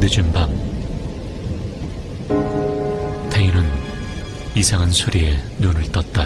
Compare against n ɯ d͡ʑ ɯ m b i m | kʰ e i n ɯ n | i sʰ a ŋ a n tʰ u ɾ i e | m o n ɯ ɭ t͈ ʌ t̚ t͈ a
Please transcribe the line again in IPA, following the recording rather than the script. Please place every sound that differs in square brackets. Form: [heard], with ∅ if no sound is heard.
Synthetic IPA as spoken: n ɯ d͡ʑ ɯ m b [a] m | [tʰ] e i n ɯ n | i sʰ a ŋ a n [sʰ] u ɾ i e | [n] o n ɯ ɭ t͈ ʌ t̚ t͈ a